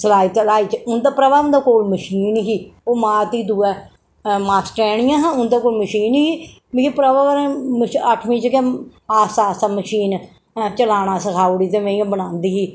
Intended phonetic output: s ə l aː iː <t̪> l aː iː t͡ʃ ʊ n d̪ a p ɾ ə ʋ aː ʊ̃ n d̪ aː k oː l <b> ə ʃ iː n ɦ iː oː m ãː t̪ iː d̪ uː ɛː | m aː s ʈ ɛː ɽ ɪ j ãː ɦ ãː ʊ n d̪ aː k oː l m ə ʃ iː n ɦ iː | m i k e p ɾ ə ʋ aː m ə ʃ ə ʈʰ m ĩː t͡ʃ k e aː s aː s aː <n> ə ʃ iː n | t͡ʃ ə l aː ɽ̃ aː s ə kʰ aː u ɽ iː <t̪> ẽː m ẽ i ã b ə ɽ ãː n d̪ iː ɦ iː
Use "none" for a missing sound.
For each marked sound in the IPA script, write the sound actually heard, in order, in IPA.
t̪, m, m, t̪

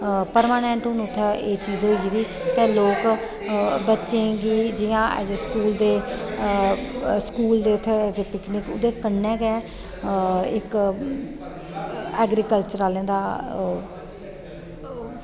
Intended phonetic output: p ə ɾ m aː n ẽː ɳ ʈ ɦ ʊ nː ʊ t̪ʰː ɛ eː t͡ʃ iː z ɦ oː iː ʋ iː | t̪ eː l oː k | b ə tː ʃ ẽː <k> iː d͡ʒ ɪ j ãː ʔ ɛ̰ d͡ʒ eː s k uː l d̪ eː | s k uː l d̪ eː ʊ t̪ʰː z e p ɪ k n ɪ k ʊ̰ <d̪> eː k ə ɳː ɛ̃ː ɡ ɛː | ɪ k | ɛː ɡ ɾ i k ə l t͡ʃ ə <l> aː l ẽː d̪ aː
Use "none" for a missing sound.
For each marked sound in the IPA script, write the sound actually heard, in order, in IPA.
ɡ, d̪, ɾ

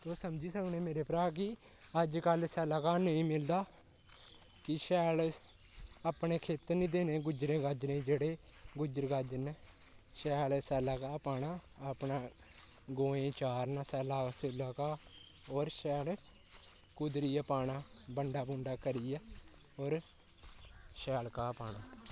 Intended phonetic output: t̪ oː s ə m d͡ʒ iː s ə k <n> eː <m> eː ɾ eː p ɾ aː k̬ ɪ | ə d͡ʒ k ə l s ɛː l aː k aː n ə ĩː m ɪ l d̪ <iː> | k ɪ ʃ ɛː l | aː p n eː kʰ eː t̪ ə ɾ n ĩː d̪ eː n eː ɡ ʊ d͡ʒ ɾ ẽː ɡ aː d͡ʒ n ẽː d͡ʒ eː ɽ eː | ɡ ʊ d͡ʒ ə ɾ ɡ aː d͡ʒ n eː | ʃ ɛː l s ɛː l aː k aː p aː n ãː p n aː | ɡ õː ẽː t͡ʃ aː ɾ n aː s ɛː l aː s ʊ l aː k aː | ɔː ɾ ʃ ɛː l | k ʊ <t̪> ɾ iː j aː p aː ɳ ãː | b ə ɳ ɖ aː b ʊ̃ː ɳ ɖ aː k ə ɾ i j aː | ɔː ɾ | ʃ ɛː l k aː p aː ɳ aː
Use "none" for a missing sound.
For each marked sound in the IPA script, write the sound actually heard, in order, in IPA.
n, m, aː, d̪

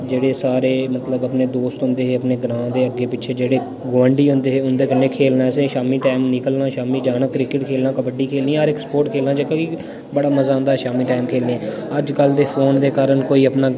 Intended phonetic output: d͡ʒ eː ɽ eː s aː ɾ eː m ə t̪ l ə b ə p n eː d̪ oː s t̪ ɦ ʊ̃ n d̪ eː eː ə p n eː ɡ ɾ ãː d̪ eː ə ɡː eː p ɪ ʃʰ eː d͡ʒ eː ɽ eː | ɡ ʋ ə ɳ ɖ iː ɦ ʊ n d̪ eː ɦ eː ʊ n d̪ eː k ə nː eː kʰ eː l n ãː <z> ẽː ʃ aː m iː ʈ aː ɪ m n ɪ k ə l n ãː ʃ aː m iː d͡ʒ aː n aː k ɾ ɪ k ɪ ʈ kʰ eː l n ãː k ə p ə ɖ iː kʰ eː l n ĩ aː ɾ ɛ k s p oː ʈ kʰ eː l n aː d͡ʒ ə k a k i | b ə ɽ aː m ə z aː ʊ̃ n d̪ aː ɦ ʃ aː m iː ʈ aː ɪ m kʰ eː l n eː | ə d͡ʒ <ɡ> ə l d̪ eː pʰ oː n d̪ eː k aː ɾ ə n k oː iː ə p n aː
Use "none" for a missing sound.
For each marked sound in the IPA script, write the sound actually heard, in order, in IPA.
s, k

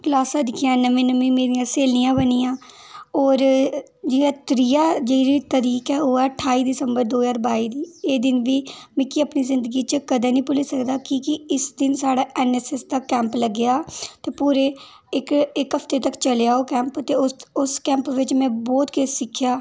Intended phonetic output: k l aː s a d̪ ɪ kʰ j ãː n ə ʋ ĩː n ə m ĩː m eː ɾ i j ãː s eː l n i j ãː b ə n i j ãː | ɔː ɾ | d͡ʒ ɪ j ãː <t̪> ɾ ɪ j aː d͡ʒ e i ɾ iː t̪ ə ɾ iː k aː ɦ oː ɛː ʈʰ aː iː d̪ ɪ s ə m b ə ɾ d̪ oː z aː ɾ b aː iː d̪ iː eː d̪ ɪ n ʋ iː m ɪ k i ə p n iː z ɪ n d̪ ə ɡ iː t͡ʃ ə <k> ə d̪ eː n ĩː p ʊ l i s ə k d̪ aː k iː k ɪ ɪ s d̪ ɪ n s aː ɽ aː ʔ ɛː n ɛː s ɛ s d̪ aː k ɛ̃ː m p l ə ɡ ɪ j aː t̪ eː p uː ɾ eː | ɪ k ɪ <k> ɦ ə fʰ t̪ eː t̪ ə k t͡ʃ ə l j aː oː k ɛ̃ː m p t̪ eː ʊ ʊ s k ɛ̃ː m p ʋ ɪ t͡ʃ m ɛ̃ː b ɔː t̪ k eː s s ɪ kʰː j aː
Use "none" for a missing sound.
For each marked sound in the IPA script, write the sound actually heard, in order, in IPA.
t̪, k, k

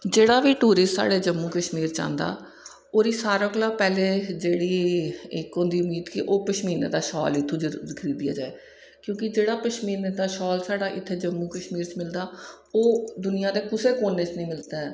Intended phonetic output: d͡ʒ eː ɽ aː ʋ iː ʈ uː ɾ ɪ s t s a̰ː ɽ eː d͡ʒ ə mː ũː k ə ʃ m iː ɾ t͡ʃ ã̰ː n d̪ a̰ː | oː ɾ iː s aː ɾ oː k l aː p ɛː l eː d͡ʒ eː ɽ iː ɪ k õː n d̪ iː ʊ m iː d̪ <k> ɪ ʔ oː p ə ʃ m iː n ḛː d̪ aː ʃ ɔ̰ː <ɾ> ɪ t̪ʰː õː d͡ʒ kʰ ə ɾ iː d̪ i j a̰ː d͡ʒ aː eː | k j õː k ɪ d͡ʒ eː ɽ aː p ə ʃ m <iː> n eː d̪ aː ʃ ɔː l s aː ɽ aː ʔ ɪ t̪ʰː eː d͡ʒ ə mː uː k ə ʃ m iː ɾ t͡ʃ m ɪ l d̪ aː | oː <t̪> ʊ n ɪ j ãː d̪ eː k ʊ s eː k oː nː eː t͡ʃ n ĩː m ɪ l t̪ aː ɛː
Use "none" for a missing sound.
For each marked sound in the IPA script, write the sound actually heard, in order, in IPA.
k, l, iː, d̪

